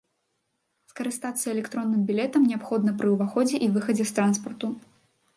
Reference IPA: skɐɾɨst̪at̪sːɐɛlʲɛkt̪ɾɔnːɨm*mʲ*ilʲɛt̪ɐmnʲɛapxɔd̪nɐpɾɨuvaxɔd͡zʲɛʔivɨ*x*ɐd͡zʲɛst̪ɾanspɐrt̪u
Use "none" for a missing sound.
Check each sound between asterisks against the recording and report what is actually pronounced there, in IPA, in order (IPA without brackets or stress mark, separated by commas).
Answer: bʲ, x